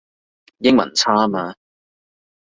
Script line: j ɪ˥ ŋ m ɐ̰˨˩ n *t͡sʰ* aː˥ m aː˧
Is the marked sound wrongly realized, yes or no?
no